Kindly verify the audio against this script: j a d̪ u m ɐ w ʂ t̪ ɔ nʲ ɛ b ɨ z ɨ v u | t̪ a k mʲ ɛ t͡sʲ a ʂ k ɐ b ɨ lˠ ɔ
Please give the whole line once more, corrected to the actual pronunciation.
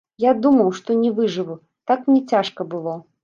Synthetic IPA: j a d̪ u m ɐ w ʂ t̪ ɔ nʲ ɛ v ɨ ʐ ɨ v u | t̪ a k nʲ ɛ t͡sʲ a ʂ k ɐ b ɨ lˠ ɔ